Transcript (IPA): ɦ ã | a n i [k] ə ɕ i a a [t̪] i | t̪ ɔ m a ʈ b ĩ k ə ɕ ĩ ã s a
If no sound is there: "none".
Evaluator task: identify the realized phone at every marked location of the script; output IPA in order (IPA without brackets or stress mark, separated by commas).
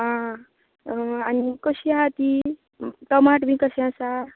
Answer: k, t̪